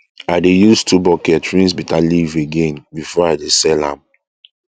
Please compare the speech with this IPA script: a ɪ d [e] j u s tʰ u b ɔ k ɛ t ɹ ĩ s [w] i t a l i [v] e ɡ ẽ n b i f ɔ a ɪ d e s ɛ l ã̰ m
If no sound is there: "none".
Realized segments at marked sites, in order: e, b, v

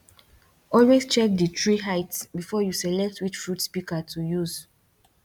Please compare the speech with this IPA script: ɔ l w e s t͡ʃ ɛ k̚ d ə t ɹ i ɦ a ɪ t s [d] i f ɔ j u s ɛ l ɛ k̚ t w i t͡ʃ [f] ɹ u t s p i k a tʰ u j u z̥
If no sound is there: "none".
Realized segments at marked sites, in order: b, f

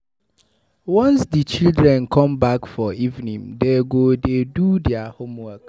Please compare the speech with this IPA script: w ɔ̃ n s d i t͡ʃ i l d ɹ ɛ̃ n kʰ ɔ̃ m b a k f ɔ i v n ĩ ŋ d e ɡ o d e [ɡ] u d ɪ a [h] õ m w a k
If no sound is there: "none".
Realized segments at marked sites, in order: d, h

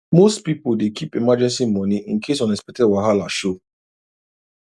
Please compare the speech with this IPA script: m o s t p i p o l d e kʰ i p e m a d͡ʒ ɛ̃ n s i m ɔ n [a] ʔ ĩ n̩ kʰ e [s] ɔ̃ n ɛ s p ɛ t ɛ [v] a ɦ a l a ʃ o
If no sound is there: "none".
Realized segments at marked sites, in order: i, s, w

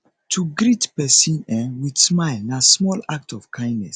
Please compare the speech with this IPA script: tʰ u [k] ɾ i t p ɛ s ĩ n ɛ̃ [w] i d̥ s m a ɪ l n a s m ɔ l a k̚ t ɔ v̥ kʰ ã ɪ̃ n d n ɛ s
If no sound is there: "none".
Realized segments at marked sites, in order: ɡ, w

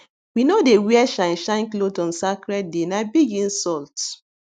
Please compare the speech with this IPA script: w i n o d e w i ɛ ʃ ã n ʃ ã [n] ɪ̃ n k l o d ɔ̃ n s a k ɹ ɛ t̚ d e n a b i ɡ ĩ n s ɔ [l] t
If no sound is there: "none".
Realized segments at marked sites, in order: none, l

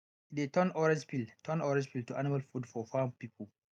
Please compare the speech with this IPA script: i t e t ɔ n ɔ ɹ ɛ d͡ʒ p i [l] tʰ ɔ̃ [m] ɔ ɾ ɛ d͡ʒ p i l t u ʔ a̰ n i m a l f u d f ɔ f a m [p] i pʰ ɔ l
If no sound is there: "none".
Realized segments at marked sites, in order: l, n, p

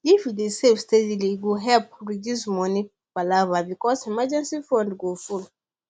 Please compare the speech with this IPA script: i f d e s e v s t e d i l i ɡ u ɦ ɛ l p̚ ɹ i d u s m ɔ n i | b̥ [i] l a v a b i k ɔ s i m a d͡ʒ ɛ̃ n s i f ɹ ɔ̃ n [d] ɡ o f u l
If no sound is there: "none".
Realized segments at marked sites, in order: a, d

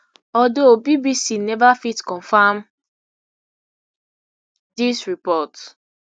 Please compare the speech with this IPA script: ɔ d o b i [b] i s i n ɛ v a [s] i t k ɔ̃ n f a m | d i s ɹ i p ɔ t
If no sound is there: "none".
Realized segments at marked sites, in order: b, f

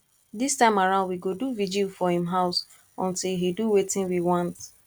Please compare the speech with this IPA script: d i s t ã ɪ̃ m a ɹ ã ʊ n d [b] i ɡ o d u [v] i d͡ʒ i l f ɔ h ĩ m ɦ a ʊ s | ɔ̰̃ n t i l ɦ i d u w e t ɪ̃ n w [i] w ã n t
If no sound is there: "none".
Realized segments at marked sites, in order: w, v, i

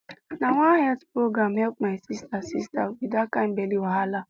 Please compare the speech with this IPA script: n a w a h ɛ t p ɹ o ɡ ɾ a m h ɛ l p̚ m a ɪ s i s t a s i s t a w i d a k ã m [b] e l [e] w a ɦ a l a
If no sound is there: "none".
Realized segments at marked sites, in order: b, i

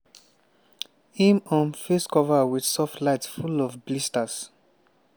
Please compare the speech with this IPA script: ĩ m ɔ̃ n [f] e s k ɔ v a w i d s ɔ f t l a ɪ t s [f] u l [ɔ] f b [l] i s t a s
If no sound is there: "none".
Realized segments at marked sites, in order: f, f, ɔ, l

